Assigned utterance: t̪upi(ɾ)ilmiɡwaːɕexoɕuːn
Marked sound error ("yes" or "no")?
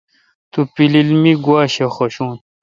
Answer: yes